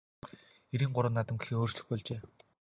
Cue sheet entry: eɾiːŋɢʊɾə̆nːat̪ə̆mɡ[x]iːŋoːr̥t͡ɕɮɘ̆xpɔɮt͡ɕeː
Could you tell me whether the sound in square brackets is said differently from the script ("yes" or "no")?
no